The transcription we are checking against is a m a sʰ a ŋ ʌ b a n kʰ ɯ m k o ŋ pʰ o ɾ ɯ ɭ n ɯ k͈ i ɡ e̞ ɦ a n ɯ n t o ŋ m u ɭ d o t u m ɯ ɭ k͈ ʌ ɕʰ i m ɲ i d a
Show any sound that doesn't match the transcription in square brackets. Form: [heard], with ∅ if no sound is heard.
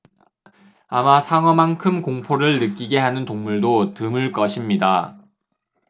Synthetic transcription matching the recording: a m a sʰ a ŋ ʌ [m] a n kʰ ɯ m k o ŋ pʰ o ɾ ɯ ɭ n ɯ k͈ i ɡ e̞ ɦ a n ɯ n t o ŋ m u ɭ d o t [ɯ] m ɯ ɭ k͈ ʌ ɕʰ i m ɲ i d a